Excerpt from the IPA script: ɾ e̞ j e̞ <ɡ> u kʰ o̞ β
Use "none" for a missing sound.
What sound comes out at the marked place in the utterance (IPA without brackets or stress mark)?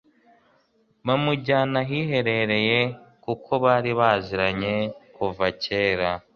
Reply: k